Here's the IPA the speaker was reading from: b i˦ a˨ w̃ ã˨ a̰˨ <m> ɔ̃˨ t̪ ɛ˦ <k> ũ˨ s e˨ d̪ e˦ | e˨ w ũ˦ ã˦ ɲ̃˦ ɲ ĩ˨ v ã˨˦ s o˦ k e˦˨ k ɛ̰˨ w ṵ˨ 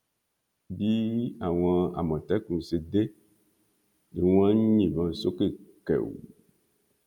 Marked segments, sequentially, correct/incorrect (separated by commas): correct, correct